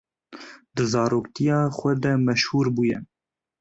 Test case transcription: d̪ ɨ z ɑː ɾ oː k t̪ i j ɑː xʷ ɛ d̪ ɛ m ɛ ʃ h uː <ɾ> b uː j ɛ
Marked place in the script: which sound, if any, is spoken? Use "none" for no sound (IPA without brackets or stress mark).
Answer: ɾ